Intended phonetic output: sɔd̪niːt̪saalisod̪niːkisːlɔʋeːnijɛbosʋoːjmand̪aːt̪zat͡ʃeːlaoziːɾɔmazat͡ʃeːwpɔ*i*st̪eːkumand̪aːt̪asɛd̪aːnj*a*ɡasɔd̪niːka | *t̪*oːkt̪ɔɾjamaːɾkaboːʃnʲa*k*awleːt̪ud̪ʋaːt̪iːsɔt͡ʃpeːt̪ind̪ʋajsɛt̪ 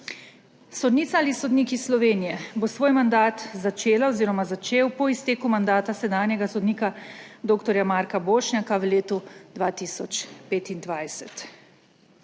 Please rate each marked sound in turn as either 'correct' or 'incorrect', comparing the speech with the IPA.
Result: correct, incorrect, incorrect, correct

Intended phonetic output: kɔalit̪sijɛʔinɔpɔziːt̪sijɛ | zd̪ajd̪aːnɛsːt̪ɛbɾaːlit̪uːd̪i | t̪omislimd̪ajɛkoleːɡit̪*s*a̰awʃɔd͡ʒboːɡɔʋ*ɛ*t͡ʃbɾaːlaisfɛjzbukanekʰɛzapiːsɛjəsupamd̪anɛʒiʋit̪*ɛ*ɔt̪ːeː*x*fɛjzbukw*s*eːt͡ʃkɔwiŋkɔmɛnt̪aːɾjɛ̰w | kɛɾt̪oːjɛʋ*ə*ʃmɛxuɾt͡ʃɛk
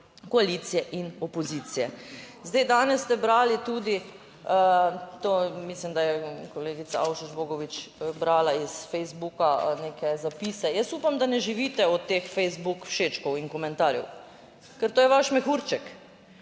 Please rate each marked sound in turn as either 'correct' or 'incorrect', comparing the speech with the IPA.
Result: correct, incorrect, correct, correct, incorrect, incorrect

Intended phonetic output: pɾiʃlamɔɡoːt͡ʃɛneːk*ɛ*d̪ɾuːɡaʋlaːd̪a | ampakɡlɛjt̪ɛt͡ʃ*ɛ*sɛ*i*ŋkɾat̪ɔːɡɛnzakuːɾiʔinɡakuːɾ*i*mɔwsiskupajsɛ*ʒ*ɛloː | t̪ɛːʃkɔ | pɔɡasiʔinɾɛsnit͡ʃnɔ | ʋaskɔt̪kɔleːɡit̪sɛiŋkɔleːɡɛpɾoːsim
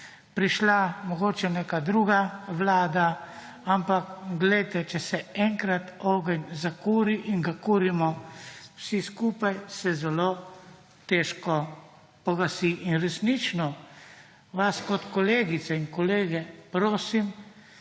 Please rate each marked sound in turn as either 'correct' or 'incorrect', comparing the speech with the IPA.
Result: incorrect, correct, incorrect, correct, incorrect

